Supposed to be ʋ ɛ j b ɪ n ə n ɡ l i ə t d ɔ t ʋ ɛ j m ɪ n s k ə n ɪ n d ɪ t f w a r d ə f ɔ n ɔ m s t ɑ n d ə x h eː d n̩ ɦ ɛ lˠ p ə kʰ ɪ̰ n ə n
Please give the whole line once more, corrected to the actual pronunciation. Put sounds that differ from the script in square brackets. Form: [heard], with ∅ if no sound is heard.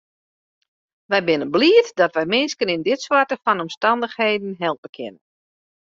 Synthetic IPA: ʋ ɛ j b ɪ n ə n [b] l i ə t d ɔ t ʋ ɛ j m ɪ n s k ə n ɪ n d ɪ t [s] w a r [t] ə f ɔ n ɔ m s t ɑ n d ə x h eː d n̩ ɦ ɛ lˠ p ə kʰ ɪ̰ n ə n